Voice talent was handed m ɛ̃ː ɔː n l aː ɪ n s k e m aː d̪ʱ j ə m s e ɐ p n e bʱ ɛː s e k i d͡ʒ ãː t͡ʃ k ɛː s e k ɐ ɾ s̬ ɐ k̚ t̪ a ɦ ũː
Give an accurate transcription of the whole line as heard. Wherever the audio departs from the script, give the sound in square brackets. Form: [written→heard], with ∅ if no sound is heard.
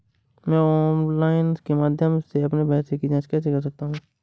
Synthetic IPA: m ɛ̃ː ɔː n l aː ɪ n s k e m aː d̪ʱ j ə m s e ɐ p n e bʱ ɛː s e k i d͡ʒ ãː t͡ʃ k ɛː s e k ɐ ɾ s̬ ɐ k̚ t̪ a ɦ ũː